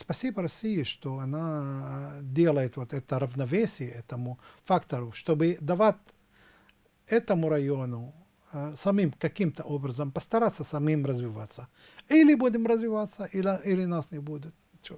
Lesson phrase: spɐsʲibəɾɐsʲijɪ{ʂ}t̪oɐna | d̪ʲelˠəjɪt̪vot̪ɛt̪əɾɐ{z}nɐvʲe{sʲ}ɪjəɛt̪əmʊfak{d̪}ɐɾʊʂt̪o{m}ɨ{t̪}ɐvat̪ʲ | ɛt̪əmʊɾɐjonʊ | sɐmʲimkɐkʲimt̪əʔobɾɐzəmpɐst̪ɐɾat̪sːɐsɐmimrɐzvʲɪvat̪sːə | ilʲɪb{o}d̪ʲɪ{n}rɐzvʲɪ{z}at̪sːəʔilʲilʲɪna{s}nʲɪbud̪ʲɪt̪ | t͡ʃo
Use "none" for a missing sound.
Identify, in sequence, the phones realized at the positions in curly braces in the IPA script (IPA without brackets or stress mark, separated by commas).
ʂ, v, sʲ, t̪, b, d̪, u, m, v, s